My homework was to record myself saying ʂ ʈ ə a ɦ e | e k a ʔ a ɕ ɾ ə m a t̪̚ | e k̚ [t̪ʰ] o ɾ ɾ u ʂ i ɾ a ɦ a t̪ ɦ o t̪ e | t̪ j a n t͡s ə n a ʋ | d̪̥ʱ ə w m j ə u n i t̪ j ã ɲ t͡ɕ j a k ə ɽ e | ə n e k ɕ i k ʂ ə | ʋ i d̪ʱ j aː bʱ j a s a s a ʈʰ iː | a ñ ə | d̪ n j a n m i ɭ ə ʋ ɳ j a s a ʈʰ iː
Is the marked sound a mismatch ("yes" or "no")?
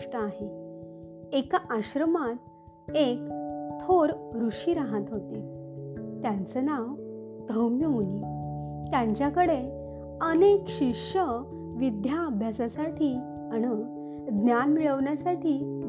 no